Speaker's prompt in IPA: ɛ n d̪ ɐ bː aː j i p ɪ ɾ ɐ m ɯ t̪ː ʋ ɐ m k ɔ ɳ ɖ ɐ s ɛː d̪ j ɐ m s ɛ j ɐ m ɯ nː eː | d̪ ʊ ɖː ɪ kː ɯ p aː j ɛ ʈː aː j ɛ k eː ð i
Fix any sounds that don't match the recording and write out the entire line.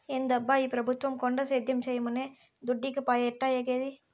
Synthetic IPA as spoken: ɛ n d̪ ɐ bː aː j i p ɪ ɾ ɐ b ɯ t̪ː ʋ ɐ m k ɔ ɳ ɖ ɐ s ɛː d̪ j ɐ m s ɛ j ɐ m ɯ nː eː | d̪ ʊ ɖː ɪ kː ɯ p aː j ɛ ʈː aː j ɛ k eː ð i